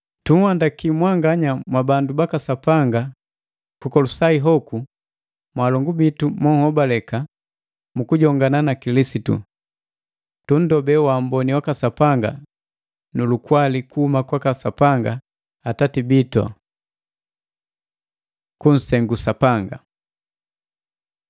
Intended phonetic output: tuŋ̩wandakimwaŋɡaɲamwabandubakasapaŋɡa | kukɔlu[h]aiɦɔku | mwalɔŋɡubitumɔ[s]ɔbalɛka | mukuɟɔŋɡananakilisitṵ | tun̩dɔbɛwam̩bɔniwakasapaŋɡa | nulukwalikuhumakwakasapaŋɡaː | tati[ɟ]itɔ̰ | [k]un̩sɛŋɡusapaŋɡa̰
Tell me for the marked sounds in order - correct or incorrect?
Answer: incorrect, incorrect, incorrect, correct

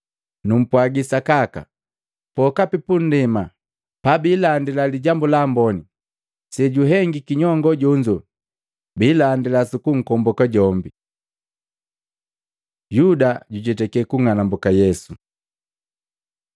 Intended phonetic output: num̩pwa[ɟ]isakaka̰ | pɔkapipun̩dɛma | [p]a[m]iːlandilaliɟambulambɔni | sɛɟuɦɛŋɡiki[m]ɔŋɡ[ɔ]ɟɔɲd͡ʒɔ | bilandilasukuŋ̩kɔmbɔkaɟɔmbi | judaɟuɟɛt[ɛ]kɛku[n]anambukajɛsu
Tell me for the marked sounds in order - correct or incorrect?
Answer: incorrect, correct, incorrect, incorrect, correct, correct, incorrect

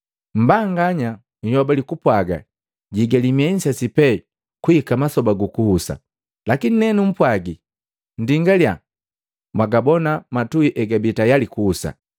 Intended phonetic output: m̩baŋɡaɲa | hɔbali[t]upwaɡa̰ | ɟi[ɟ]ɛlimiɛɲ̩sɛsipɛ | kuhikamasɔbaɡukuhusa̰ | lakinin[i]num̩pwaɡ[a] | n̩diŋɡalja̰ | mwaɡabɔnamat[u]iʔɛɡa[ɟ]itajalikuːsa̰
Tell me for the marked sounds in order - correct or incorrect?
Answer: incorrect, incorrect, incorrect, incorrect, correct, incorrect

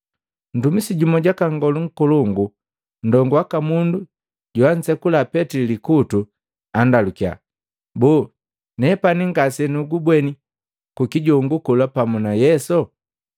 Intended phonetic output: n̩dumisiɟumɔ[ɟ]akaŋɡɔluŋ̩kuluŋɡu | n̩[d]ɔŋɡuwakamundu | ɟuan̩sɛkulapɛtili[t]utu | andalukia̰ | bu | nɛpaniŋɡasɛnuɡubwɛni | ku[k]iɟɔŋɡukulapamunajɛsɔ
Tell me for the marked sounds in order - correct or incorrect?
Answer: correct, correct, incorrect, correct

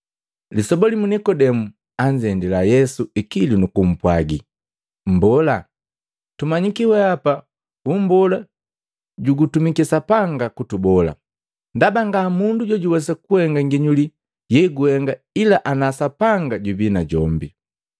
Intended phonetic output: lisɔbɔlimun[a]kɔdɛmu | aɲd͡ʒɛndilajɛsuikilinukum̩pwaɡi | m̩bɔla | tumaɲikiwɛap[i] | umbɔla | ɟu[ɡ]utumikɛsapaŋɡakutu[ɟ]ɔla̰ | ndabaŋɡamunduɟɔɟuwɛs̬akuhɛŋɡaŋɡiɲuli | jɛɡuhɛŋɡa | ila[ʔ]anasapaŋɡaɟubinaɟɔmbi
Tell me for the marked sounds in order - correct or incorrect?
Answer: incorrect, incorrect, correct, incorrect, correct

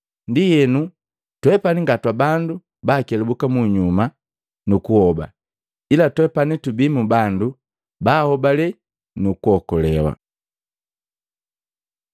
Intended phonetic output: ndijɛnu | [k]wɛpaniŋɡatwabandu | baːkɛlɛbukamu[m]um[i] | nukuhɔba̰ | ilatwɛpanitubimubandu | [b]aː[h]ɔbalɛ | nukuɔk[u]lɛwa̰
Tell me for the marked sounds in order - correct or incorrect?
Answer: incorrect, incorrect, incorrect, correct, correct, incorrect

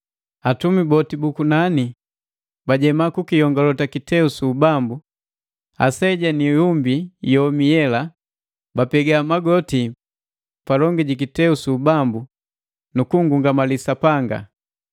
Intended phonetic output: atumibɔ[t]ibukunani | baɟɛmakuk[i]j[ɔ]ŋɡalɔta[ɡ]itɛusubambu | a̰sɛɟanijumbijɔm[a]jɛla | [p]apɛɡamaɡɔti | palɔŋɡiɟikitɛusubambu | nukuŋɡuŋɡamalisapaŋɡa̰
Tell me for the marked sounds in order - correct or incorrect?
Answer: correct, correct, correct, incorrect, incorrect, incorrect

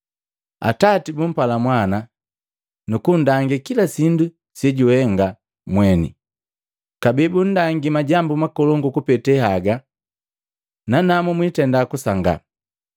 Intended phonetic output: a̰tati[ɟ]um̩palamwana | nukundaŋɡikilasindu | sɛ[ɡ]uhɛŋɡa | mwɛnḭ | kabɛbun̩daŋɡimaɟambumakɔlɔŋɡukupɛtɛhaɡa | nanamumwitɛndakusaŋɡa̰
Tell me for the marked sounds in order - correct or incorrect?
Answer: incorrect, incorrect

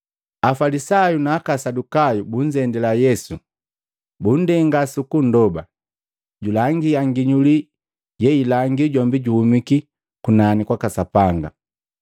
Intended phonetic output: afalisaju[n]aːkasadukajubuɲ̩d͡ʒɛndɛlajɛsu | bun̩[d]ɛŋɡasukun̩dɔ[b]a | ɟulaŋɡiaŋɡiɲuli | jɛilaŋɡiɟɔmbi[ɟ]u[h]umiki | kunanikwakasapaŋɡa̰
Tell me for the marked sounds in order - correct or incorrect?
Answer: correct, correct, correct, correct, correct

